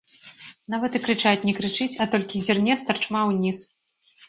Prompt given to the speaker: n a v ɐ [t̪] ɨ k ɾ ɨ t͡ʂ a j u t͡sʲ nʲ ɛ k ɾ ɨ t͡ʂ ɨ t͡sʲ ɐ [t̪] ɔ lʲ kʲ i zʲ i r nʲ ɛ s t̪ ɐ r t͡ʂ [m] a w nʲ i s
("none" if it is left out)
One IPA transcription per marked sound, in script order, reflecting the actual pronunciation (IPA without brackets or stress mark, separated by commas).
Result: t̪, t̪, m